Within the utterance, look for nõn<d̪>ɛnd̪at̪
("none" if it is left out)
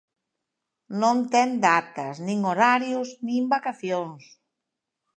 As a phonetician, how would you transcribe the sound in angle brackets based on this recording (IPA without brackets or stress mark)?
t̪